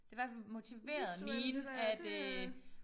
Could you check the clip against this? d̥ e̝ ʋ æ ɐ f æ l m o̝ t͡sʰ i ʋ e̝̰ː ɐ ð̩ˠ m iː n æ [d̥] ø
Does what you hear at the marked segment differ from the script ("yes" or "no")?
no